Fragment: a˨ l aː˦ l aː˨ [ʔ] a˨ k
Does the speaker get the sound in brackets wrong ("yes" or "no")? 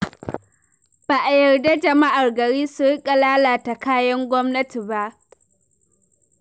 yes